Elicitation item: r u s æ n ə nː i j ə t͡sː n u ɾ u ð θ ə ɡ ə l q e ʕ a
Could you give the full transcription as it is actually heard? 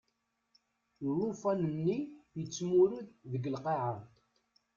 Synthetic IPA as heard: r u f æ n ə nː i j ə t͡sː m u ɾ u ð ð ə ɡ ə l q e ʕ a